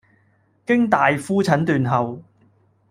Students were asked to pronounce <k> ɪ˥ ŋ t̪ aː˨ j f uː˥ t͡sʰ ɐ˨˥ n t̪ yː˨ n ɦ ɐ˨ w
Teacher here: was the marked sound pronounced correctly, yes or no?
yes